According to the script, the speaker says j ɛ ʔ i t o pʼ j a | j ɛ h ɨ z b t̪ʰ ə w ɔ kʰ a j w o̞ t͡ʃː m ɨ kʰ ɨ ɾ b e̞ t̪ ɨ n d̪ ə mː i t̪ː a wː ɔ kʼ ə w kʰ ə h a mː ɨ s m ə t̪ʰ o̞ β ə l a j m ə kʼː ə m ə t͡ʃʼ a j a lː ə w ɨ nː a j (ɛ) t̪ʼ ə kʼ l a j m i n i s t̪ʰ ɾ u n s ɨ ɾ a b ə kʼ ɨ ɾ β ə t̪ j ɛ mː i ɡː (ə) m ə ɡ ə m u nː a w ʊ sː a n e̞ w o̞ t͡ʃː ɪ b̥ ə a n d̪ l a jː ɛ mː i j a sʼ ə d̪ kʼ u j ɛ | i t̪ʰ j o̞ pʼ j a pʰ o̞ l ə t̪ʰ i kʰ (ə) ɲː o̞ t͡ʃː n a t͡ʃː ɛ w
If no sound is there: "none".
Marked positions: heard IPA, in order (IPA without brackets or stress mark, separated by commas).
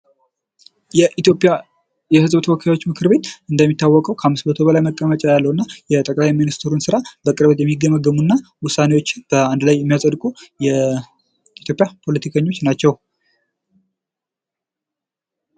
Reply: ɛ, ə, ə